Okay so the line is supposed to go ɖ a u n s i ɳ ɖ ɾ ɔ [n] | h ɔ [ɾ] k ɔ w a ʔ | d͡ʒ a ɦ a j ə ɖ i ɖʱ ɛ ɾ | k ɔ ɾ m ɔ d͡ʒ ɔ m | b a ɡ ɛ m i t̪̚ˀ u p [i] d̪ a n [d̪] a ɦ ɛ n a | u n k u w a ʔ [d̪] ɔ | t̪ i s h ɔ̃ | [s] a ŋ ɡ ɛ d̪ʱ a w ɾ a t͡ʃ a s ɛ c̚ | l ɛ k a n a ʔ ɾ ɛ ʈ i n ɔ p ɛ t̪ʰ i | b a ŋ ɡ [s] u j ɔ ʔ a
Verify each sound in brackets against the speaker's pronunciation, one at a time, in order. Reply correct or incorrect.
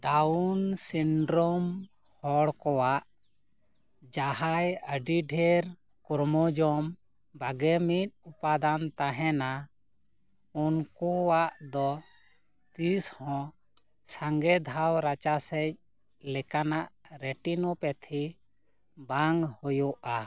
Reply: incorrect, incorrect, incorrect, incorrect, correct, correct, incorrect

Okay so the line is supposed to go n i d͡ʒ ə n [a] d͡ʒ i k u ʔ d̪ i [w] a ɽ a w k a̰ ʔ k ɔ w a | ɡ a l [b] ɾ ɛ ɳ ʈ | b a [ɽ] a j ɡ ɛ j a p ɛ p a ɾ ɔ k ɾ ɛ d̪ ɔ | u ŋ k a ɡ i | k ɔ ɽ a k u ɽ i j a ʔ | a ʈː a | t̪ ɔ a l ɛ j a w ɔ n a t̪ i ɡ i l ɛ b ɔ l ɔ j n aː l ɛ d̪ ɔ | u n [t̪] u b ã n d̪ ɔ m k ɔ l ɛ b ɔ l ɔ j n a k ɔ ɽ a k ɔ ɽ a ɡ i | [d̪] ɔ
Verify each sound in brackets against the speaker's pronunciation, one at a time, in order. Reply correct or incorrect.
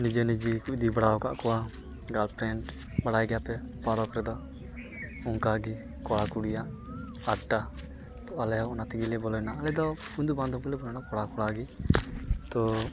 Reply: incorrect, incorrect, incorrect, correct, incorrect, incorrect

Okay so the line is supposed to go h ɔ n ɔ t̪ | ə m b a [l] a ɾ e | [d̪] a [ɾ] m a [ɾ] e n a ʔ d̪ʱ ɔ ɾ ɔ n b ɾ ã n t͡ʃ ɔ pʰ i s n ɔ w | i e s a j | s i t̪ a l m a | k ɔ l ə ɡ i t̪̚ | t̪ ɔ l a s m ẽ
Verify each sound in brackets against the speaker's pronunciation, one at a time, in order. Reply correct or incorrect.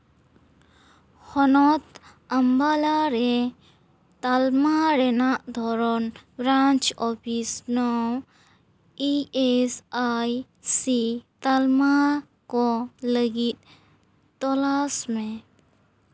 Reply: correct, incorrect, incorrect, correct

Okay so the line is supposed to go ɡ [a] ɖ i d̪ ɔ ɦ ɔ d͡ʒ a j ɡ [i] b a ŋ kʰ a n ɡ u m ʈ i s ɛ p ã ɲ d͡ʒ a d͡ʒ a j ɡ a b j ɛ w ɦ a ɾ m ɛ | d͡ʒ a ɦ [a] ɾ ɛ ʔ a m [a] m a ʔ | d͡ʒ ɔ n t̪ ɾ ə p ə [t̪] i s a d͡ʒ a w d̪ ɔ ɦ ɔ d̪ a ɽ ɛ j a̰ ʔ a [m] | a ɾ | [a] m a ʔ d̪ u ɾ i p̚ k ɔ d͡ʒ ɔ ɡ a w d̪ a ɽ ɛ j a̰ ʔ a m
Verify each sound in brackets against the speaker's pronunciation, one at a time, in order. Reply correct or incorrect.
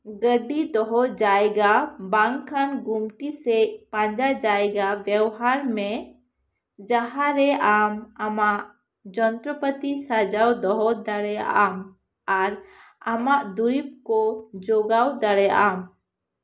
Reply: incorrect, incorrect, correct, correct, correct, correct, correct

